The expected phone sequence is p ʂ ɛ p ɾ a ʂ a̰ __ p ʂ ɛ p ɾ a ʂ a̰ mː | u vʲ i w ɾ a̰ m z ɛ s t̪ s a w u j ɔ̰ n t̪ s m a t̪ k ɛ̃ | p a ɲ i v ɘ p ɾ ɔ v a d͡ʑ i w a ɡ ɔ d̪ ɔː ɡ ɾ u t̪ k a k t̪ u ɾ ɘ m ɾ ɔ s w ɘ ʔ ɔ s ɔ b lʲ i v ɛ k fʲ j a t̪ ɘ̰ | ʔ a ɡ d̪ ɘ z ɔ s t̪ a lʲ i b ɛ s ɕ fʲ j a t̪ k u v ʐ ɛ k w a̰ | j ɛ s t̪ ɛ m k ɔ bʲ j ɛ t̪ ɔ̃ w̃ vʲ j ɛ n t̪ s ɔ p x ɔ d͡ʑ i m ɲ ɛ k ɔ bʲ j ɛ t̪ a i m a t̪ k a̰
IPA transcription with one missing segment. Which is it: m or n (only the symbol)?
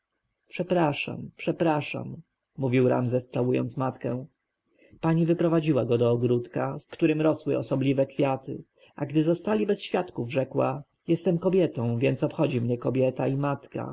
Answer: m